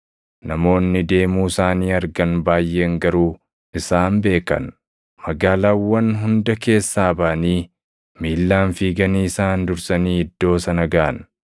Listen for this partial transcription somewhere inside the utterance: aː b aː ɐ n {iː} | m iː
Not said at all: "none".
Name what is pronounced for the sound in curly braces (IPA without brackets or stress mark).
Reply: iː